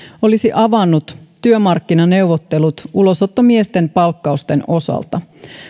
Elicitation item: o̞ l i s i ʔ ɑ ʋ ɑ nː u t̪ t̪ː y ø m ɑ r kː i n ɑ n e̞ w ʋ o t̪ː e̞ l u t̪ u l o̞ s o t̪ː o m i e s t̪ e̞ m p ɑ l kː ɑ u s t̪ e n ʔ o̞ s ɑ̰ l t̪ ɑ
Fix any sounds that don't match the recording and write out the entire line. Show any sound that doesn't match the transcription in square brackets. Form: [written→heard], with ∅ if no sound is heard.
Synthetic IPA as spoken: o̞ l i s i ʔ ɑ ʋ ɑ nː u t̪ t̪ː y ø m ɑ r kː i n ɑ n e̞ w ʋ o t̪ː e̞ l u t̪ u l o̞ s o t̪ː o m i e s t̪ e̞ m p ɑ l kː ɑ u s t̪ e n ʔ o̞ s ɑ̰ l t̪ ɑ